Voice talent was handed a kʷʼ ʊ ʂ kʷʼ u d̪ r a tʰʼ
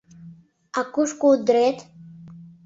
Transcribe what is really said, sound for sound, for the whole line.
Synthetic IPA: a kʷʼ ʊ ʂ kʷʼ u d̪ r e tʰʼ